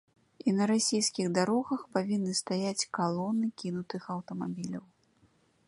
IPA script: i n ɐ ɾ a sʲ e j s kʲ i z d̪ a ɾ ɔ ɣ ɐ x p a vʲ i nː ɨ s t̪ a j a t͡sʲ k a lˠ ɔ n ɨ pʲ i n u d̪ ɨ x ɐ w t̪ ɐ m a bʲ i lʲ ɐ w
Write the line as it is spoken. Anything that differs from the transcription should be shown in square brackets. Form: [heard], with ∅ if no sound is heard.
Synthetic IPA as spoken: i n ɐ ɾ a sʲ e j s kʲ i [ɣ] d̪ a ɾ ɔ ɣ ɐ x p a vʲ i nː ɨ s t̪ a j a t͡sʲ k a lˠ ɔ n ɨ [kʲ] i n u [t̪] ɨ x ɐ w t̪ ɐ m a bʲ i lʲ ɐ w